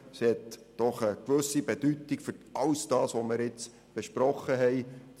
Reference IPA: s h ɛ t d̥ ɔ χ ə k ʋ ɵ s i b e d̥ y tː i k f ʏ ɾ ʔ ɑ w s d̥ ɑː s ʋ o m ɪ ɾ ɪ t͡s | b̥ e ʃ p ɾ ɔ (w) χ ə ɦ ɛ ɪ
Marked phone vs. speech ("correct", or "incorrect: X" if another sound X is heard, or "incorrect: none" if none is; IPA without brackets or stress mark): incorrect: none